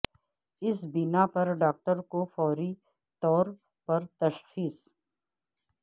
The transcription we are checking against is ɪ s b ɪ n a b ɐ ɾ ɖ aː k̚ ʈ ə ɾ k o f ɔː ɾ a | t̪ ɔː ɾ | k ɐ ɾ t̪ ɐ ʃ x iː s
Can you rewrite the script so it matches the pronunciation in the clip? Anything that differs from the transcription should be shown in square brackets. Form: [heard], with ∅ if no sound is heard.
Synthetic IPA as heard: ɪ s b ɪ n a [p] ɐ ɾ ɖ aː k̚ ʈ ə ɾ k o f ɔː ɾ [i] | t̪ ɔː ɾ | [p] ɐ ɾ t̪ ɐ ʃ x iː s